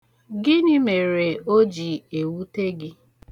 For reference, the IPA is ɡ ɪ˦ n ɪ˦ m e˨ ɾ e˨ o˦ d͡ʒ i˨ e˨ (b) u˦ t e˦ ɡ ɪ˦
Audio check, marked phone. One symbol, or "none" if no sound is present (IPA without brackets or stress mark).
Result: w